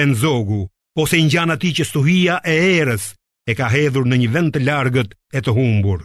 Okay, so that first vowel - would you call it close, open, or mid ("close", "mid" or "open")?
mid